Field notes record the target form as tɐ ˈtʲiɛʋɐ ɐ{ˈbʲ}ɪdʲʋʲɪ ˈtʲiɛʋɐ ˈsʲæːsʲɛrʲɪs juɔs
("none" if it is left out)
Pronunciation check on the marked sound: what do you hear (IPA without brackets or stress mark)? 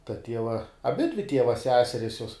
bʲ